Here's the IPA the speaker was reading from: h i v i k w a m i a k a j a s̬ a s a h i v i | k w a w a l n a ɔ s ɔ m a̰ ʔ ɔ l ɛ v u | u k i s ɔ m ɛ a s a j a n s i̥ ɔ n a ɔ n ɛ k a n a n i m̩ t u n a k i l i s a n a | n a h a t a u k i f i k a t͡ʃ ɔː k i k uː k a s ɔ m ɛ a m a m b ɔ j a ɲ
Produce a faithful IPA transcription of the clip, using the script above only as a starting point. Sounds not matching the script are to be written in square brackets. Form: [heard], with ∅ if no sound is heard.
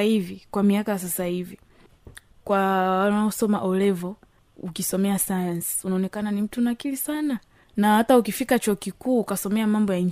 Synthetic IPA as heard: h i v i k w a m i a k a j a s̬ a s a h i v i | k w a w a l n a ɔ s ɔ m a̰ ʔ ɔ l ɛ v [ɔ] | u k i s ɔ m ɛ a s a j a n s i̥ [u] n a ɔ n ɛ k a n a n i m̩ t u n a k i l i s a n a | n a h a t a u k i f i k a t͡ʃ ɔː k i k uː k a s ɔ m ɛ a m a m b ɔ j a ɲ